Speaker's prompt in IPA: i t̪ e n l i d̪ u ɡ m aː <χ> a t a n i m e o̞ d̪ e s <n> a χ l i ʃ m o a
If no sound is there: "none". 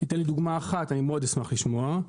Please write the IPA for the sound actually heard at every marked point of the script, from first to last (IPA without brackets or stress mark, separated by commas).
χ, m